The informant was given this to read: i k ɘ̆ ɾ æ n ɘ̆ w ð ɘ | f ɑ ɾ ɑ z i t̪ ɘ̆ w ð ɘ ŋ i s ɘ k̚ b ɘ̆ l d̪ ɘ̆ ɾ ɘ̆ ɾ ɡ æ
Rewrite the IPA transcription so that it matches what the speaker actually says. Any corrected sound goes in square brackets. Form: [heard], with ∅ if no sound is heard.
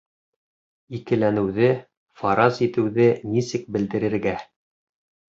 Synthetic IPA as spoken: i k ɘ̆ [l] æ n ɘ̆ w ð ɘ | f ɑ ɾ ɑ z i t̪ ɘ̆ w ð ɘ [n] i s ɘ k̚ b ɘ̆ l d̪ ɘ̆ ɾ ɘ̆ ɾ ɡ æ